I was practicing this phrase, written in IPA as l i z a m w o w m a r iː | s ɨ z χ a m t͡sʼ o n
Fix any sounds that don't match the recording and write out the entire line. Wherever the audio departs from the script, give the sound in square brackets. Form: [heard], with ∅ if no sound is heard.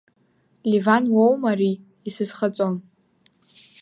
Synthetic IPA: l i [v] a [n] w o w m a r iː | s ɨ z χ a [∅] t͡sʼ o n